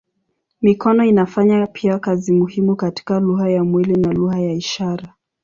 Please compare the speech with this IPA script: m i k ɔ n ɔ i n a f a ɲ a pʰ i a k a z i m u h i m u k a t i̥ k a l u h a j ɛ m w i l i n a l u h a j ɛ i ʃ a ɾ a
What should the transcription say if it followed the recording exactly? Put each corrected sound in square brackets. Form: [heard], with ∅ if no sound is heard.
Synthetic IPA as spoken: m i k ɔ n ɔ i n a f a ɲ a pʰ i a k a z i m u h i m u k a t i̥ k a l u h a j [a] m w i l i n a l u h a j [a] i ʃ a ɾ a